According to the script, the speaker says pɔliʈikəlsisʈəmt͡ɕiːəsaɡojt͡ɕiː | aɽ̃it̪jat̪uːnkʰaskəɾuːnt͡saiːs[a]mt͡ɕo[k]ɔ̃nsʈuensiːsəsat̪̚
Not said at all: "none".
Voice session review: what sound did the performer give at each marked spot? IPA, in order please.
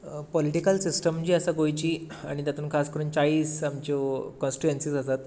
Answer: a, k

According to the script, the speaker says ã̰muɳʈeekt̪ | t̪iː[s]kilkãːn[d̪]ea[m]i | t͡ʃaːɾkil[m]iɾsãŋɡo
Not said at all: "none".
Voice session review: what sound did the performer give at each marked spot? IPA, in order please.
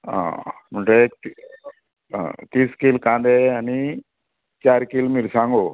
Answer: s, d̪, n, m

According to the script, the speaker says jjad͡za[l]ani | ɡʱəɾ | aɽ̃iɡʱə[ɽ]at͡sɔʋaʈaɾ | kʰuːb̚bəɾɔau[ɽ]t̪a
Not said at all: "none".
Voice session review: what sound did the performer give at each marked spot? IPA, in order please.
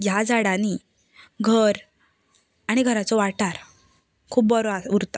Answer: ɽ, ɾ, ɾ

